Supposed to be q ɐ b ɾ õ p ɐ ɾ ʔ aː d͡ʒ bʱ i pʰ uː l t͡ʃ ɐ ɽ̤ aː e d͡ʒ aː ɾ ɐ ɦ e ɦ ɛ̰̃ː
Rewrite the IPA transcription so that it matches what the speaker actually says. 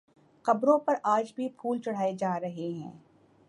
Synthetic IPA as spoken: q ɐ b ɾ õ p ɐ ɾ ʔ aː d͡ʒ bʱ i pʰ uː l t͡ʃ ɐ ɽ̤ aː e d͡ʒ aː ɾ ɐ ɦ e ɦ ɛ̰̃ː